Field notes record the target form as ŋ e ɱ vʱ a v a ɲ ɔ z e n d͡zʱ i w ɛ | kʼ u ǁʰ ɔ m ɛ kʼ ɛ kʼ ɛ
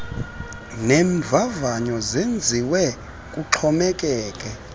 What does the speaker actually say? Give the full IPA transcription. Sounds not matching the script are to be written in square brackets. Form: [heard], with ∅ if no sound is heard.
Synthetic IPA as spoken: [n] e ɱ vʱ a v a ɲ ɔ z e n d͡zʱ i w ɛ | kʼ u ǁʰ ɔ m ɛ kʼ [ɛː] kʼ ɛ